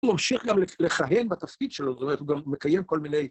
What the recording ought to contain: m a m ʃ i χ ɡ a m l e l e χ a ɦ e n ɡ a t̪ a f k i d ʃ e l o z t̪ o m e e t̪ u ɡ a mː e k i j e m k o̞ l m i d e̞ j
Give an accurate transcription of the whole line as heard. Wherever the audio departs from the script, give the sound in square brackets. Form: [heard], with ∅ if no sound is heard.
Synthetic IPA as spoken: m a m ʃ i χ ɡ a m l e l e χ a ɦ e n [b] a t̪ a f k i d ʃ e l o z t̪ o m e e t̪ u ɡ a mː e k [a] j e m k o̞ l m i [n] e̞ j